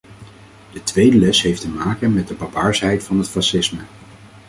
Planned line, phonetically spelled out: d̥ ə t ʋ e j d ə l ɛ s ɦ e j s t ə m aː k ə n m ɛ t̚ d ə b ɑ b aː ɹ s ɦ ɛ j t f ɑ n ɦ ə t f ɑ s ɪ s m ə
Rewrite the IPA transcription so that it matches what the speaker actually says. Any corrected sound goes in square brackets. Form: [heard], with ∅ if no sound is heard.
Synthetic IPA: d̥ ə t ʋ e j d ə l ɛ s ɦ e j [f] t ə m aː k ə n m ɛ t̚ d ə b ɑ b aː ɹ s ɦ ɛ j t f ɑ n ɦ ə t f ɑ s ɪ s m ə

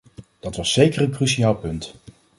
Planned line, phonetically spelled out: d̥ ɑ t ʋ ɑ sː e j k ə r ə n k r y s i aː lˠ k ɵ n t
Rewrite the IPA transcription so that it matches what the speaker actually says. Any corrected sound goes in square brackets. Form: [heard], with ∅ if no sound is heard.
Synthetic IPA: d̥ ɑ t ʋ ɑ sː e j k ə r ə n k r y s i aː lˠ [p] ɵ n t

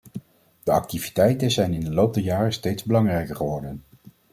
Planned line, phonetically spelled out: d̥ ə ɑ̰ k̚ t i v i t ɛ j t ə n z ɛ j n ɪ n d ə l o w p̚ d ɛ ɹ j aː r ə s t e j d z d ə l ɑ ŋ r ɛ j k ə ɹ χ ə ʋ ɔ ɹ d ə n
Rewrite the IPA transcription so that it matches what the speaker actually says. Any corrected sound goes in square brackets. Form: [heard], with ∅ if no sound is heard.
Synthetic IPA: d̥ ə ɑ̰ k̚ t i v i t ɛ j t ə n z ɛ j n ɪ n d ə l o w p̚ d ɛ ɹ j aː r ə s t e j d z [b] ə l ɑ ŋ r ɛ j k ə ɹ χ ə ʋ ɔ ɹ d ə n

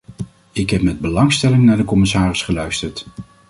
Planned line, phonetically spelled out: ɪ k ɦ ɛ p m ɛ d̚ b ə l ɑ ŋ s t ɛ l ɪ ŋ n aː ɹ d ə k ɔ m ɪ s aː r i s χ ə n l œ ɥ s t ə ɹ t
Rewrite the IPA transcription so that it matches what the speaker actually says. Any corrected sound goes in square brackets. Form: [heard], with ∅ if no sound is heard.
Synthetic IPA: ɪ k ɦ ɛ p m ɛ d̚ b ə l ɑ ŋ s t ɛ l ɪ ŋ n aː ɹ d ə k ɔ m ɪ s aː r [ɪ] s χ ə [∅] l œ ɥ s t ə ɹ t

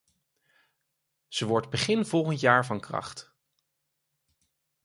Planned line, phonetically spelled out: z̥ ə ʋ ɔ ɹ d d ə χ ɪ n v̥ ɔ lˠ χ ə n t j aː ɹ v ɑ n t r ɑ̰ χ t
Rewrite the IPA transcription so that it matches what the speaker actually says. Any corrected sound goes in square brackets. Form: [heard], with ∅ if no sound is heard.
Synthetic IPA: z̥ ə ʋ ɔ ɹ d [b] ə χ ɪ n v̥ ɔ lˠ χ ə n t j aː ɹ v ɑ n [k] r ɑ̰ χ t

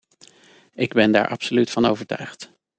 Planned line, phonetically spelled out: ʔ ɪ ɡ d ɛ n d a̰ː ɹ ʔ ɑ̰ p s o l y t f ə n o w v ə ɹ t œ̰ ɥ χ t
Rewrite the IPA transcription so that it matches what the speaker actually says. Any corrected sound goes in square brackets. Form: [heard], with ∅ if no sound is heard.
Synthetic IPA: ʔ ɪ ɡ [b] ɛ n d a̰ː ɹ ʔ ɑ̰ p s o l y t f [ɑ] n o w v ə ɹ t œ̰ ɥ χ t

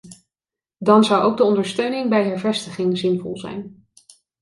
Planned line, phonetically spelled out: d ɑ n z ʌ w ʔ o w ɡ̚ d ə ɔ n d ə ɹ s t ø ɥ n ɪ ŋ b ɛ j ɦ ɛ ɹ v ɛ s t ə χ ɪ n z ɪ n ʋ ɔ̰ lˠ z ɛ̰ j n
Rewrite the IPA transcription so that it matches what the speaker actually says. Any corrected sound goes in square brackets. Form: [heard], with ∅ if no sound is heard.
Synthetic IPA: d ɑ n z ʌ w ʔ o w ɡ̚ d ə ɔ n d ə ɹ s t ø ɥ n ɪ ŋ b ɛ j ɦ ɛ ɹ v ɛ s t ə χ ɪ [ŋ] z ɪ n [v] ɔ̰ lˠ z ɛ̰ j n

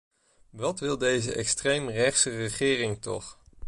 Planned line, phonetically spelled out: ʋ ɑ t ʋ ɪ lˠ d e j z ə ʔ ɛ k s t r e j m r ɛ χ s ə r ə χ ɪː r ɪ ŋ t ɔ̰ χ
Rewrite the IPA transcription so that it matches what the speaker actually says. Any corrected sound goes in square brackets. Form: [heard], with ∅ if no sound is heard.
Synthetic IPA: ʋ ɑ t ʋ ɪ lˠ d e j z ə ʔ ɛ k s t r e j m r ɛ χ s ə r ə χ ɪː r ɪ ŋ t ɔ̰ χ

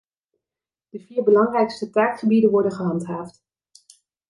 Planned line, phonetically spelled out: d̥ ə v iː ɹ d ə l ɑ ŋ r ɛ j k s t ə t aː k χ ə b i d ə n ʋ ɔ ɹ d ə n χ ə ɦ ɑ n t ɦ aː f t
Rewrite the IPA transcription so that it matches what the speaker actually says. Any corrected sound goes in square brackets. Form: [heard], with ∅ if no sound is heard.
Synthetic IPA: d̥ ə v iː ɹ [b] ə l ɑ ŋ r ɛ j k s t ə t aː k χ ə b i d ə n ʋ ɔ ɹ d ə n χ ə ɦ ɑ n t ɦ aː f t

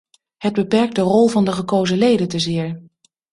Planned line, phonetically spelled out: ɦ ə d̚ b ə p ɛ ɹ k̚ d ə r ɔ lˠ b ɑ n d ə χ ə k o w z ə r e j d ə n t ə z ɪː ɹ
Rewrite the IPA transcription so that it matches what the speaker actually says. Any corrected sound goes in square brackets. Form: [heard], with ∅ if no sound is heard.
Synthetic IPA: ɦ ə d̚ b ə p ɛ ɹ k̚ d ə r ɔ lˠ [v] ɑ n d ə χ ə k o w z ə [l] e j d ə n t ə z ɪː ɹ

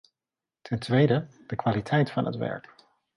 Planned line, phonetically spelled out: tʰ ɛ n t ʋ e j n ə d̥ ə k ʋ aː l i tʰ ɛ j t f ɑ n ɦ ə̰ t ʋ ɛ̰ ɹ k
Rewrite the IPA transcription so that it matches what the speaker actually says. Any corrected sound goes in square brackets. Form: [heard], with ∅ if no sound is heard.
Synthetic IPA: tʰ ɛ n t ʋ e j [d] ə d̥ ə k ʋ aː l i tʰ ɛ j t f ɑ n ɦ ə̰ t ʋ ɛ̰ ɹ k

